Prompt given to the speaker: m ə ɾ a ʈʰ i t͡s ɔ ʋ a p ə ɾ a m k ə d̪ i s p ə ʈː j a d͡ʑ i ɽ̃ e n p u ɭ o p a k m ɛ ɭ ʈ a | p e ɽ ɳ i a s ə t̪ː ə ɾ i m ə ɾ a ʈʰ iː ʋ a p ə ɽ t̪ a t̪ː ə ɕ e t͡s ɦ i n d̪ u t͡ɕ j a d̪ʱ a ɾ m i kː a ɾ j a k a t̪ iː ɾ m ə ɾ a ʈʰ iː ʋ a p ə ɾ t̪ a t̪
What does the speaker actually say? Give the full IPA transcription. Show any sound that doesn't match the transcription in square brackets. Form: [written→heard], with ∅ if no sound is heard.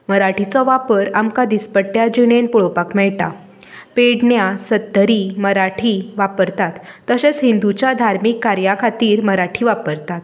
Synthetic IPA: m ə ɾ a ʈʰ i t͡s ɔ ʋ a p ə ɾ a m k [ə→a] d̪ i s p ə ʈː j a d͡ʑ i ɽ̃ e n p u ɭ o p a k m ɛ ɭ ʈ a | p e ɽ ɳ [i→j] a s ə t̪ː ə ɾ i m ə ɾ a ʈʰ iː ʋ a p ə [ɽ→ɾ] t̪ a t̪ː ə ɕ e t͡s ɦ i n d̪ u t͡ɕ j a d̪ʱ a ɾ m i kː a ɾ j a [k→kʰ] a t̪ iː ɾ m ə ɾ a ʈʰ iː ʋ a p ə ɾ t̪ a t̪